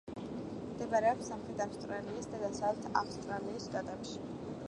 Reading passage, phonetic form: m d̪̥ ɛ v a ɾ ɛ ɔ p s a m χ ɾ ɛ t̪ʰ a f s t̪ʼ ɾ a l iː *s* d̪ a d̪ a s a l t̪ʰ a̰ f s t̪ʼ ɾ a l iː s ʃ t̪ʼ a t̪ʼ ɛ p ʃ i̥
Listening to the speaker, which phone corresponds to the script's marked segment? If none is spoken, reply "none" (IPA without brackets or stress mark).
s